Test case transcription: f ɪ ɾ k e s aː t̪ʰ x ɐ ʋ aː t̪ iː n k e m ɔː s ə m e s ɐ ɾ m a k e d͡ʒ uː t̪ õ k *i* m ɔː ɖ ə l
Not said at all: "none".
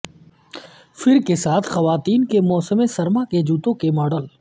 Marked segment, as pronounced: e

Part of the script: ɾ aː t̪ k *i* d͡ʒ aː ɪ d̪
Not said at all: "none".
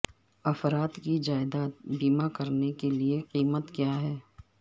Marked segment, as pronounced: i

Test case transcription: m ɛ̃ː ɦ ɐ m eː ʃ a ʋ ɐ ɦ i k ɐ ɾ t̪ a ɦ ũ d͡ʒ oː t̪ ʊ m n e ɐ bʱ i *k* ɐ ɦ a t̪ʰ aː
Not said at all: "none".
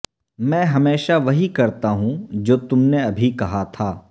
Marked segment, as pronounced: k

